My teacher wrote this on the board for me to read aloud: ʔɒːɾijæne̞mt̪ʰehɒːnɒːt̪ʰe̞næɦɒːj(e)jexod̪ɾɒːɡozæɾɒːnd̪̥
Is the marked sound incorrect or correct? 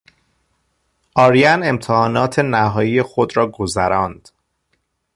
incorrect